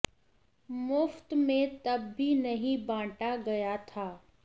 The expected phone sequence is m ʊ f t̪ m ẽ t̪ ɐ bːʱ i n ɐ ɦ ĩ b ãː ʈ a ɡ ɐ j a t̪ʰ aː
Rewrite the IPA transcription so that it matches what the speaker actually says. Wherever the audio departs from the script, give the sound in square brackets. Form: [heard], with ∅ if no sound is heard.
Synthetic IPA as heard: m ʊ f t̪ m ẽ t̪ ɐ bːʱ i n ɐ ɦ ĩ b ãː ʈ a ɡ ɐ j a t̪ʰ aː